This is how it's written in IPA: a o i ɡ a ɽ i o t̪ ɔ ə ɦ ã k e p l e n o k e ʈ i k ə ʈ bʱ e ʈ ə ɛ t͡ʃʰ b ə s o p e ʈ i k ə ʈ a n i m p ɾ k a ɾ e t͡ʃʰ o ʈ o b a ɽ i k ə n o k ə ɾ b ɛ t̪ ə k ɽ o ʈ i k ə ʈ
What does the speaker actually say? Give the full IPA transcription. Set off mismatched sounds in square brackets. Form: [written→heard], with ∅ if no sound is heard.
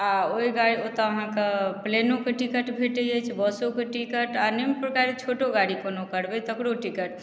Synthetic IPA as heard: a o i ɡ a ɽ i o t̪ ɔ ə ɦ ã k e p l e n o k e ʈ i k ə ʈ bʱ e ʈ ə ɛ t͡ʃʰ b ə s o [p→k] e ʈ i k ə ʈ a n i m p ɾ k a ɾ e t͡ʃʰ o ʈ o [b→ɡ] a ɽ i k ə n o k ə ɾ b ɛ t̪ ə k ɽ o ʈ i k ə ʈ